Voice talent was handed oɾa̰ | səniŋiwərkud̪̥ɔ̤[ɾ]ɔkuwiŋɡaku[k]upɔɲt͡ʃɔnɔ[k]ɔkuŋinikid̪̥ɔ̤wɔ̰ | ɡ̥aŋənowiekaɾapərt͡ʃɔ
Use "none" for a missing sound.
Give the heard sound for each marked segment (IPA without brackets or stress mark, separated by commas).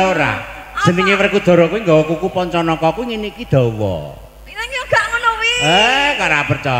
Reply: ɾ, k, k